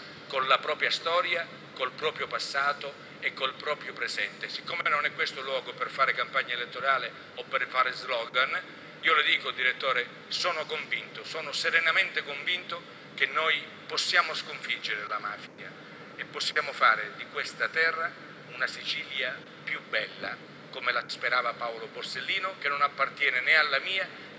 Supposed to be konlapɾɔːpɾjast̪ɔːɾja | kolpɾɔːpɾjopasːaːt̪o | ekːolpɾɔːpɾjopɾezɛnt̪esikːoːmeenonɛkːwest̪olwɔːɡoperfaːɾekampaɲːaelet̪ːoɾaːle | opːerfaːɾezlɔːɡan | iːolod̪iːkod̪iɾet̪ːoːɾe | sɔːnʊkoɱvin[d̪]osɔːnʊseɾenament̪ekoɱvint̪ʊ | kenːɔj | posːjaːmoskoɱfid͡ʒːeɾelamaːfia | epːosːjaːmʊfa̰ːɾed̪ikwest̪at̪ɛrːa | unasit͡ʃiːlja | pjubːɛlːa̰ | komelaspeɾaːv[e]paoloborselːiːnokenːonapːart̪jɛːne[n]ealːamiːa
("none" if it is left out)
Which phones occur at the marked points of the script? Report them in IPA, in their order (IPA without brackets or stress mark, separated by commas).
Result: t̪, a, n